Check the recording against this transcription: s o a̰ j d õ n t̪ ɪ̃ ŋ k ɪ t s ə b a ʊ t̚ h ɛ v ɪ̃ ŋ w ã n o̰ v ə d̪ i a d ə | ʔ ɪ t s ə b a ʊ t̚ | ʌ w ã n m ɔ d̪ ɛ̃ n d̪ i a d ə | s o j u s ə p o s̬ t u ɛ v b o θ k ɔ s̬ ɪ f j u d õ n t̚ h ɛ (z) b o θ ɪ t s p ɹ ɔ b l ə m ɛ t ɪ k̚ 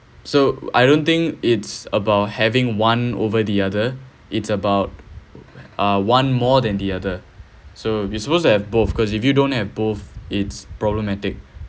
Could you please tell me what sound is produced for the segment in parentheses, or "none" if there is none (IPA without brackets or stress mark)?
v